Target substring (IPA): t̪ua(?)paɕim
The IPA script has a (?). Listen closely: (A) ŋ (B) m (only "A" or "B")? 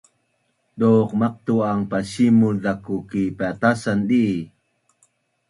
A